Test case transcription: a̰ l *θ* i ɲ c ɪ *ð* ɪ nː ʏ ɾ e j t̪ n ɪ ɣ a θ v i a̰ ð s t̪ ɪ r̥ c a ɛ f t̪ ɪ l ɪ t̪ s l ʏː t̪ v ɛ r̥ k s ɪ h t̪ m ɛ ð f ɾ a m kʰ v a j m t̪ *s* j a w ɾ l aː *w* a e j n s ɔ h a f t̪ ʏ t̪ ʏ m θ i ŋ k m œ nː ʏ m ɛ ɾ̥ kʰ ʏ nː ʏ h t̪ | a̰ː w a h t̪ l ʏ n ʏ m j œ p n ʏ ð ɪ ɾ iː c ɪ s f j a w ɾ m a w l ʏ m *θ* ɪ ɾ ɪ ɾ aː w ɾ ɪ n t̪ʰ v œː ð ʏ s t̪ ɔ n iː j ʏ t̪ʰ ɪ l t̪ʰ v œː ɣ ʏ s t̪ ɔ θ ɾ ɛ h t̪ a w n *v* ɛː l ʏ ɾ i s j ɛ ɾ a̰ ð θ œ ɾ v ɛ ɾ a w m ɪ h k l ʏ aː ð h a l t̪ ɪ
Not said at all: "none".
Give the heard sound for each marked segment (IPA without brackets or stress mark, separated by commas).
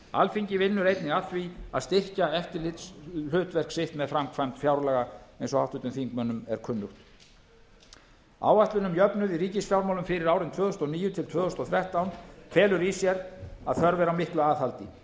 f, v, f, ɣ, f, f